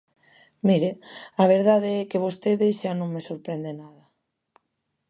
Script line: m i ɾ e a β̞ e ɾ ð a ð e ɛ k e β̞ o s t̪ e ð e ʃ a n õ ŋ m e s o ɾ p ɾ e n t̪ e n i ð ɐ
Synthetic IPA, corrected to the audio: m i ɾ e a β̞ e ɾ ð a ð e ɛ k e β̞ o s t̪ e ð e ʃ a n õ ŋ m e s o ɾ p ɾ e n d̪ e n a ð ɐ